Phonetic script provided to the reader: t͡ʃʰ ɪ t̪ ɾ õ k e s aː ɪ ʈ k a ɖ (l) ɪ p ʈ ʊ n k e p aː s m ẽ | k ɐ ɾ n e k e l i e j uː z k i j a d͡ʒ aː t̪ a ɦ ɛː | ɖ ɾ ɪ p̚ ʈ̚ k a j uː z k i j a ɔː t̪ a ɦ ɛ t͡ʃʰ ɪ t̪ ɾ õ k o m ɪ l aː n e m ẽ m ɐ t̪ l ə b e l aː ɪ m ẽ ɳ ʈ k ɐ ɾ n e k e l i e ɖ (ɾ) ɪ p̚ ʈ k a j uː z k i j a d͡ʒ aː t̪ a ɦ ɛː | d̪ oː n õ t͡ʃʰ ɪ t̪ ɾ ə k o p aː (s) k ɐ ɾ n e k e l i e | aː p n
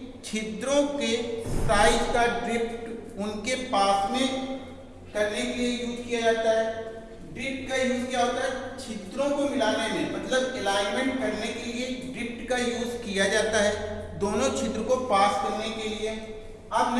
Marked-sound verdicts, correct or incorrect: incorrect: ɾ, correct, correct

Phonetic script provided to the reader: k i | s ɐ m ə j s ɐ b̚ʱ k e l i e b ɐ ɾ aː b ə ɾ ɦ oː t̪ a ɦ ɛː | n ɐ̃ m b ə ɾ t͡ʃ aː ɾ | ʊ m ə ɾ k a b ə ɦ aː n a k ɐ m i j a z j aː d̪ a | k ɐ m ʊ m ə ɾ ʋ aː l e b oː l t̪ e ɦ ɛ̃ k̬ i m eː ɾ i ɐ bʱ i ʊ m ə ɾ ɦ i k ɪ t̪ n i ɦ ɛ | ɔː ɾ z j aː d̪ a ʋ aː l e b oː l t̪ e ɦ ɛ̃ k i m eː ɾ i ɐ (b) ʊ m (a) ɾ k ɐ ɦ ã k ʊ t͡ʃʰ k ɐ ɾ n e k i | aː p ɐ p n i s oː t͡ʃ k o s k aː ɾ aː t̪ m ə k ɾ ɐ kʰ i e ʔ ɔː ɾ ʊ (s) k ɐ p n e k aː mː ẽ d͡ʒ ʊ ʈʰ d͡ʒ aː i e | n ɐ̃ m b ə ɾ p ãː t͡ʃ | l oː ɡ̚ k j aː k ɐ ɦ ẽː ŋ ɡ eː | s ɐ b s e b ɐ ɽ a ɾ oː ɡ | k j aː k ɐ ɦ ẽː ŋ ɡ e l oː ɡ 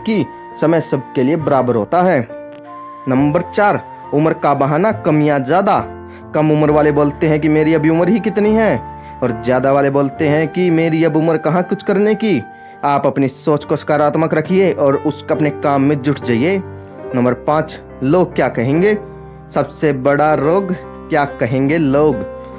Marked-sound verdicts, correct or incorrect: correct, incorrect: ə, correct

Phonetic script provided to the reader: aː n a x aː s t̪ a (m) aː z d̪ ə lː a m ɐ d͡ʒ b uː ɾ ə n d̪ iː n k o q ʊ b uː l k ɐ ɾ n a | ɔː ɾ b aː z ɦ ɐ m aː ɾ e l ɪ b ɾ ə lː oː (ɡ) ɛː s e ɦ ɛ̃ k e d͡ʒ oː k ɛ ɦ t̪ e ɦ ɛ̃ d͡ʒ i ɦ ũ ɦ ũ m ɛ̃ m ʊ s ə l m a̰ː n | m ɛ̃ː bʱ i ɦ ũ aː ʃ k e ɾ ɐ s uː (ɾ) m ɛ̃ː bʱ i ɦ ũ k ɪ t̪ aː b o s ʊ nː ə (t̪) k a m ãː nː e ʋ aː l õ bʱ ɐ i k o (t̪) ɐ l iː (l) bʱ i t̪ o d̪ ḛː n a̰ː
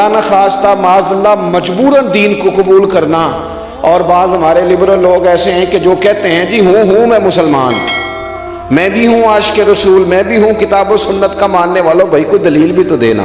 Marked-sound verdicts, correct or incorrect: correct, correct, incorrect: l, correct, incorrect: d̪, correct

